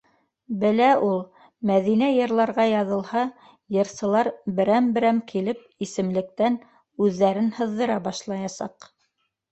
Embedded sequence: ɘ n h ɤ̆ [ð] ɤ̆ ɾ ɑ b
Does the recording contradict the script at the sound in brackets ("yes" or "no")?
yes